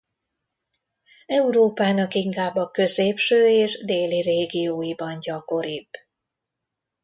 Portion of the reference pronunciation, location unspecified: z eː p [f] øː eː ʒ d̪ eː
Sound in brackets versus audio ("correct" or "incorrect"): incorrect